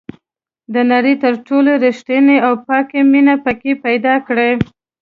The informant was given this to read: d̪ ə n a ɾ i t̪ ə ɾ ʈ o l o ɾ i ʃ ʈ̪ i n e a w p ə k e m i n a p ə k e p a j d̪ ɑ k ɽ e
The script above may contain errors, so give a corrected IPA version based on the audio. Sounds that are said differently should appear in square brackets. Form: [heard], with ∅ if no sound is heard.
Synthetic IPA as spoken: d̪ ə n a ɾ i t̪ ə ɾ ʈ o l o ɾ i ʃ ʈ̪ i n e a w p [ɑ] k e m i n a p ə k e p a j d̪ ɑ k ɽ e